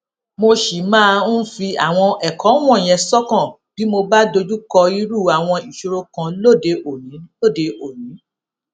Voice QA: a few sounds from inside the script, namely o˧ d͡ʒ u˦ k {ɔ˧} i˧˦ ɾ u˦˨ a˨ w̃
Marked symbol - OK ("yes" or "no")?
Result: yes